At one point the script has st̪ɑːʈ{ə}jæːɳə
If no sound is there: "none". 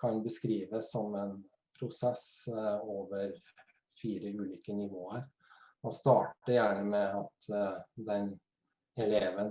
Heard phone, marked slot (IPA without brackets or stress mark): ə